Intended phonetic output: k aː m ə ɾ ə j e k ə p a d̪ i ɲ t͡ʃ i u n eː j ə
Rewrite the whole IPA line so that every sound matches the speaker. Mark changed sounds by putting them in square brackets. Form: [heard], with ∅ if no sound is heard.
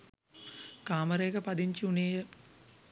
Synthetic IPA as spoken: k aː m ə ɾ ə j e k ə p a d̪ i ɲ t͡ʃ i u n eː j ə